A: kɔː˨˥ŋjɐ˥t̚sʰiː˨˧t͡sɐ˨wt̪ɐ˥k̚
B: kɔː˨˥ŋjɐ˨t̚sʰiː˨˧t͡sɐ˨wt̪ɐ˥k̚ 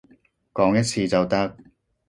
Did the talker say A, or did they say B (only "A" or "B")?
A